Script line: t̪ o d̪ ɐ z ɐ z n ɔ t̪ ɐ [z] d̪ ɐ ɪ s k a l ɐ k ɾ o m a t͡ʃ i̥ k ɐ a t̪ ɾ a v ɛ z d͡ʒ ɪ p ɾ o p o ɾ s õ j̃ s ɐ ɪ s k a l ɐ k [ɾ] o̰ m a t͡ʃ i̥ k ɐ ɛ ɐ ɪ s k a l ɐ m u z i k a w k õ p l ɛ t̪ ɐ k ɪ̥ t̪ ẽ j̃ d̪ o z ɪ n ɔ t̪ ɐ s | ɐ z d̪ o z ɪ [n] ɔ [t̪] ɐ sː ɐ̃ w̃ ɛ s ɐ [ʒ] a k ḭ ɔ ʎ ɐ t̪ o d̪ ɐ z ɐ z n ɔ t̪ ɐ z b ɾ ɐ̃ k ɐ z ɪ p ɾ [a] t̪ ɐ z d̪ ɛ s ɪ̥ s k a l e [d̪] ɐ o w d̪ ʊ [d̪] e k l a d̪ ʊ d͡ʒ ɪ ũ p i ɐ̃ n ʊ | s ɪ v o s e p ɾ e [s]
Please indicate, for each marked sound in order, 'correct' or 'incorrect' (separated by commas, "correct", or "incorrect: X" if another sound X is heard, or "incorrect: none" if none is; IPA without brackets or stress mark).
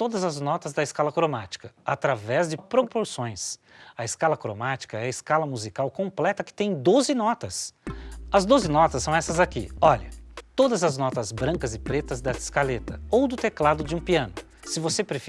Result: correct, correct, correct, correct, incorrect: z, incorrect: e, incorrect: t̪, incorrect: t̪, incorrect: f